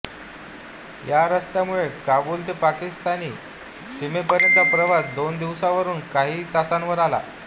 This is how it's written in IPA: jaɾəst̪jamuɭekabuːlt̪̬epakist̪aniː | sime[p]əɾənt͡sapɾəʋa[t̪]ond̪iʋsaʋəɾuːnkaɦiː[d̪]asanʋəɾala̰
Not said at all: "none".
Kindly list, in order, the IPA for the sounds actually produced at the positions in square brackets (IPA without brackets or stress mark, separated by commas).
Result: p, d̪, t̪